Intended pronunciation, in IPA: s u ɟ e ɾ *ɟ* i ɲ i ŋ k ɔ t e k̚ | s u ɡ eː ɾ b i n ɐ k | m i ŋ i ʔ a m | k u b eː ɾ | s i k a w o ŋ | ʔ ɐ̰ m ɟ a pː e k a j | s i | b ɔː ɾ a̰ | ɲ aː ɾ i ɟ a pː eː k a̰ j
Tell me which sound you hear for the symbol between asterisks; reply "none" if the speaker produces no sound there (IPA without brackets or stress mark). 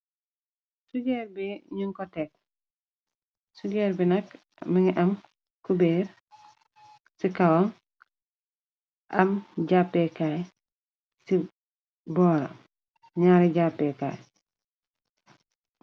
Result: b